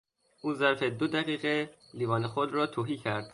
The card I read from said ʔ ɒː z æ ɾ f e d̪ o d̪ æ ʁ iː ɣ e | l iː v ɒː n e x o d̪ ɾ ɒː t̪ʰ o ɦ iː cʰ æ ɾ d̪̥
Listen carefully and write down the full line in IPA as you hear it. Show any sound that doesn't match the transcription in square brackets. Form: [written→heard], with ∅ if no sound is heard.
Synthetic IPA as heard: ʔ [ɒː→uː] z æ ɾ f e d̪ o d̪ æ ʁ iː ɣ e | l iː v ɒː n e x o d̪ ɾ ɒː t̪ʰ o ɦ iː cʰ æ ɾ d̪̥